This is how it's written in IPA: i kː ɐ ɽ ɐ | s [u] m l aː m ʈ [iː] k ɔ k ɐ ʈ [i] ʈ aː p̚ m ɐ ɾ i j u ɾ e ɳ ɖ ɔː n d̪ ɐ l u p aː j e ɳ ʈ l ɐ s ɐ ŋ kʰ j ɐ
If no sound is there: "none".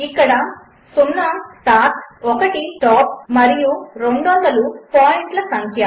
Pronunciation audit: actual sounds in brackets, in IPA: u, aː, i

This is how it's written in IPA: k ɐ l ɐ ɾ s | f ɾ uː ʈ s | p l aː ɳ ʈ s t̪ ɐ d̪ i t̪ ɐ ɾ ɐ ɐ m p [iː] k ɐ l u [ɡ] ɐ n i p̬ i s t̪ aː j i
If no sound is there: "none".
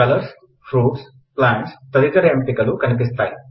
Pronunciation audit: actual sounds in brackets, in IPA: i, k

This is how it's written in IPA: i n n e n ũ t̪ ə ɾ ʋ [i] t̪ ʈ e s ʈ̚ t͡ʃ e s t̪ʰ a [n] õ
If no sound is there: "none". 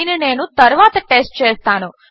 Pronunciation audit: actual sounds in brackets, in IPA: a, n

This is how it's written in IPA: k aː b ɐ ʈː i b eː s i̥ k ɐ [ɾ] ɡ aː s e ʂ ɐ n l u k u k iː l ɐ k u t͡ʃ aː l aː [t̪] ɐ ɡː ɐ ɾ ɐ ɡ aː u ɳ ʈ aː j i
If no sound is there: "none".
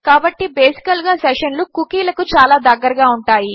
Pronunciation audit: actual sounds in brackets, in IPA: l, d̪

